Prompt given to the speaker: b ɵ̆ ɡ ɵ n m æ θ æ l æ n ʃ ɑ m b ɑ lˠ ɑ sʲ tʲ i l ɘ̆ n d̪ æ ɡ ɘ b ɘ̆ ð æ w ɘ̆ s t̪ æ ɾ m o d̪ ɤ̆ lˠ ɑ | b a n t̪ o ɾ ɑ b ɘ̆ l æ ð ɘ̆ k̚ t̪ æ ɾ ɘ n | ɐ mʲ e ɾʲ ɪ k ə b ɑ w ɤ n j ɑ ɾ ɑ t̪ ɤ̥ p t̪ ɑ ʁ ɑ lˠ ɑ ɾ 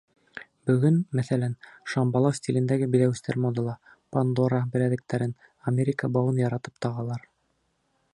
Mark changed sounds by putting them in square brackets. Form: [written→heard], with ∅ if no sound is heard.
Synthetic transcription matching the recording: b ɵ̆ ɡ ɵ n m æ θ æ l æ n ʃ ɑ m b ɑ lˠ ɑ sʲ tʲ i l ɘ̆ n d̪ æ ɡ ɘ b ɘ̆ ð æ w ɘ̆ s t̪ æ ɾ m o d̪ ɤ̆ lˠ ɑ | [b→p] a n [t̪→d̪] o ɾ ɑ b ɘ̆ l æ ð ɘ̆ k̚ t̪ æ ɾ ɘ n | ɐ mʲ e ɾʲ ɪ k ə b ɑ w ɤ n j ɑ ɾ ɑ t̪ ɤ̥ p t̪ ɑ ʁ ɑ lˠ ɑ ɾ

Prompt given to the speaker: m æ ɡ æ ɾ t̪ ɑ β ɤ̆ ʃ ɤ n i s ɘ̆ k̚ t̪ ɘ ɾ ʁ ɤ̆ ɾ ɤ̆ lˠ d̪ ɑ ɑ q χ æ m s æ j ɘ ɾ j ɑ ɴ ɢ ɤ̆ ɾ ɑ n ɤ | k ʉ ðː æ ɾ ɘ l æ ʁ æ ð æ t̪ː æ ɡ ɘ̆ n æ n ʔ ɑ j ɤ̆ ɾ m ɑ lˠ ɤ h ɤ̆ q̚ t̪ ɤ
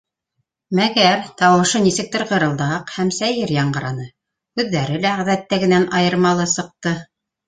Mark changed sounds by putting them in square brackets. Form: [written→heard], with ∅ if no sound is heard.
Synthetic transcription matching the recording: m æ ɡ æ ɾ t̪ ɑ [β→w] ɤ̆ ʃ ɤ n i s ɘ̆ k̚ t̪ ɘ ɾ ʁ ɤ̆ ɾ ɤ̆ lˠ d̪ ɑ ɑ q [χ→h] æ m s æ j ɘ ɾ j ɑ ɴ ɢ ɤ̆ ɾ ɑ n ɤ | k ʉ ðː æ ɾ ɘ l æ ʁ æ ð æ t̪ː æ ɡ ɘ̆ n æ n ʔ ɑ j ɤ̆ ɾ m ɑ lˠ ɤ [h→s] ɤ̆ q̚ t̪ ɤ

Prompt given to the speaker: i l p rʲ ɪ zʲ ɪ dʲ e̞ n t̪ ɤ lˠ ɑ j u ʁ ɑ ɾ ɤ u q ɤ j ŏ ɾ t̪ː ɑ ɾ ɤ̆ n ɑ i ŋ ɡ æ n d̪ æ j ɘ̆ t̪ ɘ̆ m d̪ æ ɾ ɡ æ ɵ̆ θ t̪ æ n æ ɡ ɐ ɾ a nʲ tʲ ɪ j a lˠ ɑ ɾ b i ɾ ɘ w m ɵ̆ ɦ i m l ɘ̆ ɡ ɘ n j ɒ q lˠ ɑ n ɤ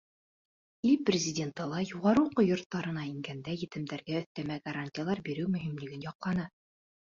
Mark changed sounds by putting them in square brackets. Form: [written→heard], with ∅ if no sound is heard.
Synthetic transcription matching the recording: i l p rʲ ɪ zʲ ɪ dʲ e̞ n t̪ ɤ lˠ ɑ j u ʁ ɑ ɾ ɤ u q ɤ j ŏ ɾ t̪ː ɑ ɾ ɤ̆ n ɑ i ŋ ɡ æ n d̪ æ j ɘ̆ t̪ ɘ̆ m d̪ æ ɾ ɡ æ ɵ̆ θ t̪ æ [n→m] æ ɡ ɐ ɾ a nʲ tʲ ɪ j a lˠ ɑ ɾ b i ɾ ɘ w m ɵ̆ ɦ i m l ɘ̆ ɡ ɘ n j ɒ q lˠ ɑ n ɤ

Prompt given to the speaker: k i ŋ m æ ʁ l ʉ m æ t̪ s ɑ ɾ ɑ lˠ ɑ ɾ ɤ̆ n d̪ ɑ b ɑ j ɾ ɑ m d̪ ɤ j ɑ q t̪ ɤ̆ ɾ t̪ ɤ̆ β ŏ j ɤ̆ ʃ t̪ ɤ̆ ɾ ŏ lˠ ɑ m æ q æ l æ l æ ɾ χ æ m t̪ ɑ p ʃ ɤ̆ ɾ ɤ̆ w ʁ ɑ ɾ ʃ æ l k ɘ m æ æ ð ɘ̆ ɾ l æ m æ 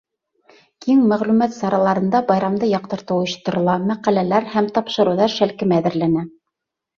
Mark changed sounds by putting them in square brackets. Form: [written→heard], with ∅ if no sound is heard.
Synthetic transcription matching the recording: k i ŋ m æ ʁ l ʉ m æ t̪ s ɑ ɾ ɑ lˠ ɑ ɾ ɤ̆ n d̪ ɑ b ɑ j ɾ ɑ m d̪ ɤ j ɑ q t̪ ɤ̆ ɾ t̪ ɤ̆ [β→w] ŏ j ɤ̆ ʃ t̪ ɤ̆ ɾ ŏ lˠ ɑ m æ q æ l æ l æ ɾ [χ→h] æ m t̪ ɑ p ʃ ɤ̆ ɾ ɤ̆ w [ʁ→ð] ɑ ɾ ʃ æ l k ɘ m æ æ ð ɘ̆ ɾ l æ [m→n] æ

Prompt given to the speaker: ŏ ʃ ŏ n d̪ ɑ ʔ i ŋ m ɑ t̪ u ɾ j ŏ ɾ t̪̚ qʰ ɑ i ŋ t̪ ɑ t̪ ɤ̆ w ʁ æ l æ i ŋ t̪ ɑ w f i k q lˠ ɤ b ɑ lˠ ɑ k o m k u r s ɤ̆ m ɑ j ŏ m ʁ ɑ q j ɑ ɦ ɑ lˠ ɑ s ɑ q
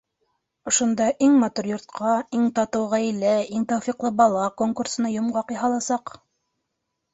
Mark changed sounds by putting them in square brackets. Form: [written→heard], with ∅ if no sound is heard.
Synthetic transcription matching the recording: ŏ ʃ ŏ n d̪ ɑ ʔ i ŋ m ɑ t̪ u ɾ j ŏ ɾ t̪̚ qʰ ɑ i ŋ t̪ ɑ t̪ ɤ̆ w ʁ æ l æ i ŋ t̪ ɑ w f i [k→∅] q lˠ ɤ b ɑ lˠ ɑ k o [m→ŋ] k u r s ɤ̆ [m→n] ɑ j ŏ m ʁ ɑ q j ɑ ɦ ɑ lˠ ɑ s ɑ q

